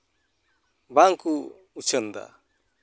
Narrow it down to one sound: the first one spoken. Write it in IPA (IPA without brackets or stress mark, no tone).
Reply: b